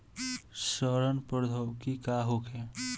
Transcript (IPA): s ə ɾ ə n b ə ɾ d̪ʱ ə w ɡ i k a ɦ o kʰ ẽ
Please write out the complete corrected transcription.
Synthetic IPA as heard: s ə ɾ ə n p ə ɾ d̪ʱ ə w k i k a ɦ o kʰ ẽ